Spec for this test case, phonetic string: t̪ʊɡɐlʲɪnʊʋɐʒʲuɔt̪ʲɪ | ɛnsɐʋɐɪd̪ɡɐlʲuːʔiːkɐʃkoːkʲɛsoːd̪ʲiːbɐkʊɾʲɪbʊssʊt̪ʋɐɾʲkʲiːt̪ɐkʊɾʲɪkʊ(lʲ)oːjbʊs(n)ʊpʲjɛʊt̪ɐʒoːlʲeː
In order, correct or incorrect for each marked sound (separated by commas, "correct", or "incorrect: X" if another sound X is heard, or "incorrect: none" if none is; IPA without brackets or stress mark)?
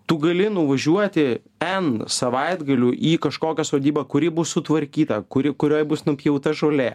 incorrect: ɾʲ, correct